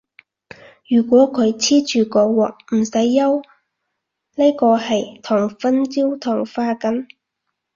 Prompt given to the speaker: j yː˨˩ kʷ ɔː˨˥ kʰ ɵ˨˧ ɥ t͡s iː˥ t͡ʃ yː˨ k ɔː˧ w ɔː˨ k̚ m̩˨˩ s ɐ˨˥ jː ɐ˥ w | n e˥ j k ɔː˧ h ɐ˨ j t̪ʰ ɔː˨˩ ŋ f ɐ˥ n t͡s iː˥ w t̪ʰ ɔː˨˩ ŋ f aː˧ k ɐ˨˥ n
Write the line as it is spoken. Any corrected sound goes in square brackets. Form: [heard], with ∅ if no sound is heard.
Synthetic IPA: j yː˨˩ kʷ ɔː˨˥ kʰ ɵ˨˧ ɥ [t͡sʰ] iː˥ t͡ʃ yː˨ k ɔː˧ w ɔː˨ k̚ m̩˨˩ s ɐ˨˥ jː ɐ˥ w | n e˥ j k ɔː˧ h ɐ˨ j t̪ʰ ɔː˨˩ ŋ f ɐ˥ n t͡s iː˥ w t̪ʰ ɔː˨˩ ŋ f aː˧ k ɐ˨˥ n